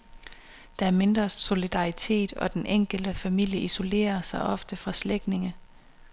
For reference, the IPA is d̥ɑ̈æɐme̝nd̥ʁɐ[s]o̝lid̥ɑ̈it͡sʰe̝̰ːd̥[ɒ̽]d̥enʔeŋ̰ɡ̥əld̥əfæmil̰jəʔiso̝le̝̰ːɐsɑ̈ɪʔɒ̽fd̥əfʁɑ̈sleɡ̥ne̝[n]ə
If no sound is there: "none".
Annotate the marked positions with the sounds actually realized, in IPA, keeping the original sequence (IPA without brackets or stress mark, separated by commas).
s, ɒ̽, ŋ